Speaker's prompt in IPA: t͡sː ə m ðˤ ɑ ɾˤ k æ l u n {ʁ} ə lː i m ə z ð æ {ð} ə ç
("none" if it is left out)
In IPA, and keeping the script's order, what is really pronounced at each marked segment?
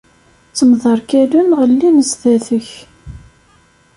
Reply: ʁ, θ

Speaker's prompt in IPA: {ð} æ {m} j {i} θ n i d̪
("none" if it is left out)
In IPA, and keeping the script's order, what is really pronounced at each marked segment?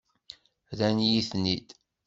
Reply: ð, n, i

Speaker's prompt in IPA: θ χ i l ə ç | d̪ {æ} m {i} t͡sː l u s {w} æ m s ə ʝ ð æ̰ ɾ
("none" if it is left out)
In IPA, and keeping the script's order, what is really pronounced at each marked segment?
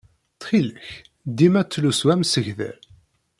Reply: i, æ, w

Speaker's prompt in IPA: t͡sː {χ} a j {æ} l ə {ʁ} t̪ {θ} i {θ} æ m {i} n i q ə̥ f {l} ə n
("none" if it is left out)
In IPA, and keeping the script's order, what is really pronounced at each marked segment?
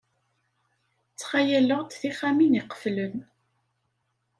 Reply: χ, æ, ʁ, θ, χ, i, l

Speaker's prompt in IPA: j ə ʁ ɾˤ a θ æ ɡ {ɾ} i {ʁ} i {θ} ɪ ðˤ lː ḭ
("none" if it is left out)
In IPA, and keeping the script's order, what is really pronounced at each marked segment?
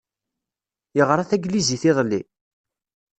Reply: l, z, θ

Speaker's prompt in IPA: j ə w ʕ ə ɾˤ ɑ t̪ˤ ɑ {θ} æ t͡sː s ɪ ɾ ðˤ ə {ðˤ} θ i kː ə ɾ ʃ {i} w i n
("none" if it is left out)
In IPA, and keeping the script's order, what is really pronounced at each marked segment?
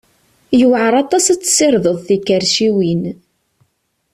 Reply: s, ðˤ, i

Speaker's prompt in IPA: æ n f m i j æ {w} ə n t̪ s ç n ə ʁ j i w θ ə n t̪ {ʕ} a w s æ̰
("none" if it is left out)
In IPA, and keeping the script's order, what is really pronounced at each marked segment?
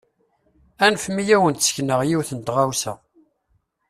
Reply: w, ʁ

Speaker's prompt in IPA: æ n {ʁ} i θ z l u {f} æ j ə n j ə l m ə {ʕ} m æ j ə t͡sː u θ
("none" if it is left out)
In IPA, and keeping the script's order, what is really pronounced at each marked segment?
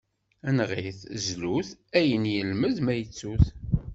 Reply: ʁ, θ, ð

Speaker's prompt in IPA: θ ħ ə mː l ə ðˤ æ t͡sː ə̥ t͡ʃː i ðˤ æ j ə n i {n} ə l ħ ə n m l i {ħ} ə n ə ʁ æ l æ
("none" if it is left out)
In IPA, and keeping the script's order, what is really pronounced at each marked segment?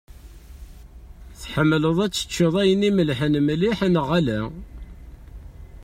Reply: m, ħ

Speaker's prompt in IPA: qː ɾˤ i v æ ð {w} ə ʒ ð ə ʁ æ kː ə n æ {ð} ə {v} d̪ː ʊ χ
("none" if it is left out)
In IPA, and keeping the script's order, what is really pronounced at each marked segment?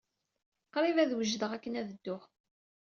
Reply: w, ð, none

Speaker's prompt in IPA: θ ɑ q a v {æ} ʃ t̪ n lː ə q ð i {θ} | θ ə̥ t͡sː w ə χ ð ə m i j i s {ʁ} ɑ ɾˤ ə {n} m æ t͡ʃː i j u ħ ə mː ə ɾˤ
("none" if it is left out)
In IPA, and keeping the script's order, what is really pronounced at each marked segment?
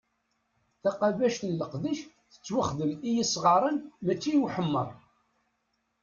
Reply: æ, ʃ, ʁ, n

